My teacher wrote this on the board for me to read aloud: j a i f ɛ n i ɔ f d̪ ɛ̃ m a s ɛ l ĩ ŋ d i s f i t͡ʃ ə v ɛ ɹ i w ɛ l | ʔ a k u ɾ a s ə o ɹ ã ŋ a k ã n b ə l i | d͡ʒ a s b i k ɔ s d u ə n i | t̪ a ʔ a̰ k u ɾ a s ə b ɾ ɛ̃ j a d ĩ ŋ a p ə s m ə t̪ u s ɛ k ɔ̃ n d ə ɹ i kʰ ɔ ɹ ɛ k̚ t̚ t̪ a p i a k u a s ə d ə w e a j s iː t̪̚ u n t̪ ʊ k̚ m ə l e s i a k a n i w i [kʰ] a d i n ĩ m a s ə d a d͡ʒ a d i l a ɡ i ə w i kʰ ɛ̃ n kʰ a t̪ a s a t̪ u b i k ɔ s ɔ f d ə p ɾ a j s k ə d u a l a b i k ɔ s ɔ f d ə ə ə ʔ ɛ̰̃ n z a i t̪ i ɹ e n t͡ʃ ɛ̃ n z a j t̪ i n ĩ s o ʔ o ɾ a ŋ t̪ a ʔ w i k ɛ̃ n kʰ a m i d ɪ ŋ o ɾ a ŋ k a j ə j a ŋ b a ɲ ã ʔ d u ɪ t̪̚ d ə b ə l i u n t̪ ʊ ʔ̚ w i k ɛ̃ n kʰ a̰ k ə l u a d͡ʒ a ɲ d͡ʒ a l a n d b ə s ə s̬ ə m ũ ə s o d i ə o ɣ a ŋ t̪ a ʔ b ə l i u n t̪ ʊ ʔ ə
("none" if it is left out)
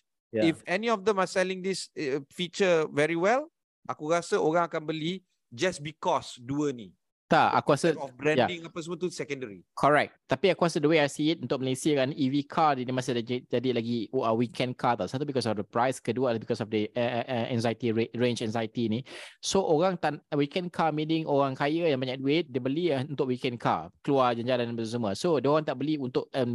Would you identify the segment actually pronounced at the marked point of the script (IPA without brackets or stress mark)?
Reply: kʰ